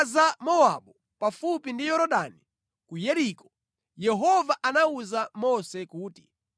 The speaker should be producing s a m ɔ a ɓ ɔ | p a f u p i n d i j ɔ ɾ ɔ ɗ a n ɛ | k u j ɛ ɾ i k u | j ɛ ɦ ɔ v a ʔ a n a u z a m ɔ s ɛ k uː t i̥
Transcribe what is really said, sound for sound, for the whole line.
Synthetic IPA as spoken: z a m ɔ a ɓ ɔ | p a f u p i n d i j ɔ ɾ ɔ ɗ a n i | k u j ɛ ɾ i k ɔ | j ɛ ɦ ɔ v a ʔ a n a u z a m ɔ s ɛ k uː t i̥